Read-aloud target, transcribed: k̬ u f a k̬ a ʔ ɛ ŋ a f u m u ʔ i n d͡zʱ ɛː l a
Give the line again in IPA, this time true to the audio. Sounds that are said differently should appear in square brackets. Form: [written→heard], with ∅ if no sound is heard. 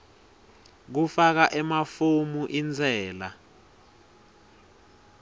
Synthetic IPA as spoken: k̬ u f a k̬ a ʔ ɛ [ŋ→m] a f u m u ʔ i n d͡zʱ ɛː l a